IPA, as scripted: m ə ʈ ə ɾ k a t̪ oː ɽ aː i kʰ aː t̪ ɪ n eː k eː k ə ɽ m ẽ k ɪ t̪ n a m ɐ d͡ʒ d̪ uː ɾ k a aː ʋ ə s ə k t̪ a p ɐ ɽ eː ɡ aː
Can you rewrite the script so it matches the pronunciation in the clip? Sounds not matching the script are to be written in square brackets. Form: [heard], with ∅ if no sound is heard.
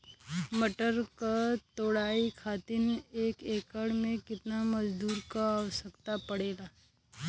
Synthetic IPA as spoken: m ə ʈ ə ɾ k a t̪ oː ɽ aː i kʰ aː t̪ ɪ n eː k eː k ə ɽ m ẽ k ɪ t̪ n a m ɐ d͡ʒ d̪ uː ɾ k a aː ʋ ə s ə k t̪ a p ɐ ɽ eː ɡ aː